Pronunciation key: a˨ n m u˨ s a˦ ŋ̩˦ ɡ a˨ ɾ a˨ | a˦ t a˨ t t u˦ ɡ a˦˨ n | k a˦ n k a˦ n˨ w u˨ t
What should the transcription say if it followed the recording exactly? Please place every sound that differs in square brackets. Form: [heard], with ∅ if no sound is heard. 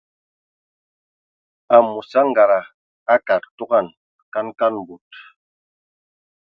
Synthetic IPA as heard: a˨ [∅] m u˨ s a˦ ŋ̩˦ ɡ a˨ ɾ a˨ | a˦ [k] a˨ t t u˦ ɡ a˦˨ n | k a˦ n k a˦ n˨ [b] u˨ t

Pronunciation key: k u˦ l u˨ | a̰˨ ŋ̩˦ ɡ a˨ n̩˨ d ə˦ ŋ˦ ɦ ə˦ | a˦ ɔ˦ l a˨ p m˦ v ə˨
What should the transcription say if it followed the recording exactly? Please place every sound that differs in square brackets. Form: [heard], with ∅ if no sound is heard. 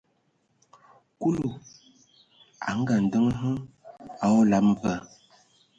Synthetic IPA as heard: k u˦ l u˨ | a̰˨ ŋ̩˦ ɡ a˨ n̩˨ d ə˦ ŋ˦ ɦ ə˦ | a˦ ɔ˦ l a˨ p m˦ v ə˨

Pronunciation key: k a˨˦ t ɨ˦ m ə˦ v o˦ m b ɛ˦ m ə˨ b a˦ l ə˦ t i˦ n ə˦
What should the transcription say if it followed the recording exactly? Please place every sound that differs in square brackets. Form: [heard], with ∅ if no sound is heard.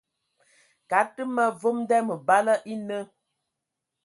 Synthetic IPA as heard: k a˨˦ t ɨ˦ m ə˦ v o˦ m [d] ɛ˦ m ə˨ b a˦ l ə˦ [ʔ] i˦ n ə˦

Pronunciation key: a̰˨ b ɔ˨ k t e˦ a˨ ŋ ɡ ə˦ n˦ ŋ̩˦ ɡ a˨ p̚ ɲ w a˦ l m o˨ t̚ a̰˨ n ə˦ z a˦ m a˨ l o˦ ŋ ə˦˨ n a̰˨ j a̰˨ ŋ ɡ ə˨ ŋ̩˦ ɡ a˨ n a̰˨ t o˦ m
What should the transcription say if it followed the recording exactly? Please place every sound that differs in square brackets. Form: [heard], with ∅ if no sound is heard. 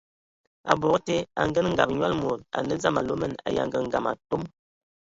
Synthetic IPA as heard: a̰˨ b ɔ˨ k t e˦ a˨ ŋ ɡ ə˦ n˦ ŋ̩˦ ɡ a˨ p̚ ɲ w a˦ l m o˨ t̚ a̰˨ n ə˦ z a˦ m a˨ l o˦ [m] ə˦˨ n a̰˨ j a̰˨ ŋ ɡ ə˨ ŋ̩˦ ɡ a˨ [m] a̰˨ t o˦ m

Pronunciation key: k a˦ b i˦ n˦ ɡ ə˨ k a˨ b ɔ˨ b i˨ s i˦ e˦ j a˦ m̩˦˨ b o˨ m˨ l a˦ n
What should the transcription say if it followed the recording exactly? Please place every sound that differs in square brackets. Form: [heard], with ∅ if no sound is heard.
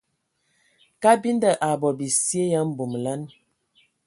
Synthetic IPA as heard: k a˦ b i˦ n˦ [d] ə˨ [ʔ] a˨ b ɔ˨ b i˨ s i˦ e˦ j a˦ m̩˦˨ b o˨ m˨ l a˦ n

